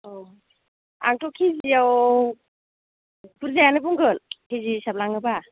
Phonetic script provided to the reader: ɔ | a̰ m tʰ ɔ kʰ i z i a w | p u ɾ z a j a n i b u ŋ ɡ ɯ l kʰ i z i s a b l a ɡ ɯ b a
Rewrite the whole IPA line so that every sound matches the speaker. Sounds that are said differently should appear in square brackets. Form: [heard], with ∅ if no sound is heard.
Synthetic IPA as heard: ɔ | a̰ [ŋ] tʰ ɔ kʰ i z i a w | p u ɾ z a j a n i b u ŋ ɡ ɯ l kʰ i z i s a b l a [ŋ] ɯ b a